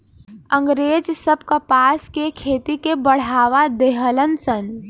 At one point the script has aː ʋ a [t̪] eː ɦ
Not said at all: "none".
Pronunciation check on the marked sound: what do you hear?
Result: d̪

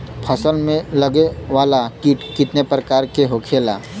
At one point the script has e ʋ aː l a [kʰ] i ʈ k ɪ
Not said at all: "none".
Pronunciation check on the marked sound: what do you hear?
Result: k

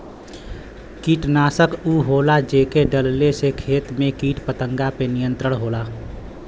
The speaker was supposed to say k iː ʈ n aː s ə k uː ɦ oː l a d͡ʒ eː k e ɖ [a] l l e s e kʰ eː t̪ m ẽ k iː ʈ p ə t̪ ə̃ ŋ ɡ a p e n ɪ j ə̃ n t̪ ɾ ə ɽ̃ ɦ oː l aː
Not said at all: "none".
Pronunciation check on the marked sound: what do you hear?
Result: ə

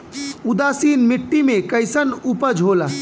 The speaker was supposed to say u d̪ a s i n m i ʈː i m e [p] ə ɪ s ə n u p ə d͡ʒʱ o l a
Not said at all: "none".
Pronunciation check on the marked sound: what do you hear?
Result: k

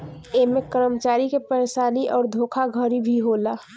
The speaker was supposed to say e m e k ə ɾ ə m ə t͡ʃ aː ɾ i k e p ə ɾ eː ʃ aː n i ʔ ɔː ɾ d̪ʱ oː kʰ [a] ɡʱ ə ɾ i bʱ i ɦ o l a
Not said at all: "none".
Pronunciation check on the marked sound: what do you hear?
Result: a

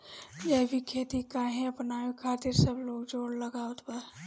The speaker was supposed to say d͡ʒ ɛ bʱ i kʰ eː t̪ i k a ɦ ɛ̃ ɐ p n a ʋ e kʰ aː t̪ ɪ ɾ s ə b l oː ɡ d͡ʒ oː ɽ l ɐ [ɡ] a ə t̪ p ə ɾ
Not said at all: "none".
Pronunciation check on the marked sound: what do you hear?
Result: ɡ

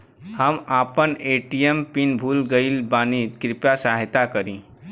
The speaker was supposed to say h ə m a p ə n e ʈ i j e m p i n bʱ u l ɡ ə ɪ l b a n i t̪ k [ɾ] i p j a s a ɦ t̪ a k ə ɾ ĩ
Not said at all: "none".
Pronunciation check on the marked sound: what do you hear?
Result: ɾ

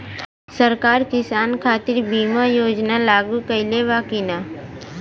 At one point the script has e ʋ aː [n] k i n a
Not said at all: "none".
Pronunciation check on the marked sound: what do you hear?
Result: none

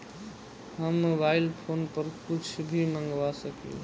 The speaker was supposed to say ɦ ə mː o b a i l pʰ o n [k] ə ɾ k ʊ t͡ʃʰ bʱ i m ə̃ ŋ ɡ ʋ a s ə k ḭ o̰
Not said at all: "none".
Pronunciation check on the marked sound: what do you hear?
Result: p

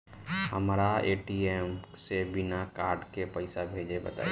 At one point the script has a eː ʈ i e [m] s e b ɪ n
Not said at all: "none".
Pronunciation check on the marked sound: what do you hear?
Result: m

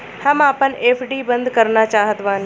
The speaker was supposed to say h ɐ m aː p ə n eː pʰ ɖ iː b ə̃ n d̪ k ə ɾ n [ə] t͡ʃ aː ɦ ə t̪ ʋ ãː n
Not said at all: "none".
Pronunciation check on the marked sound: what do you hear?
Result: a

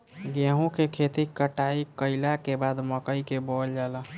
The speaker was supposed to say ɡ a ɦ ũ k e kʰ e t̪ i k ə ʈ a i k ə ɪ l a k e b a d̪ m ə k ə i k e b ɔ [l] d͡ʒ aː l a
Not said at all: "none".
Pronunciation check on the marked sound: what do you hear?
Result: l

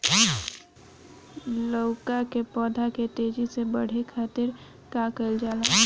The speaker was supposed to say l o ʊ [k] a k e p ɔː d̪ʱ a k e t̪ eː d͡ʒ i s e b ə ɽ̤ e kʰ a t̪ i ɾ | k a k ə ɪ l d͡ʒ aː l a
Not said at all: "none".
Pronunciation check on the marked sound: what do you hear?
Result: k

